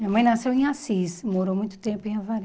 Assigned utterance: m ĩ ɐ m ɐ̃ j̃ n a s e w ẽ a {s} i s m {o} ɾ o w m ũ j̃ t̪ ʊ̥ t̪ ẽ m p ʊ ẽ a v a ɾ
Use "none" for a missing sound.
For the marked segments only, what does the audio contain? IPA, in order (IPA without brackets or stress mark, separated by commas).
s, o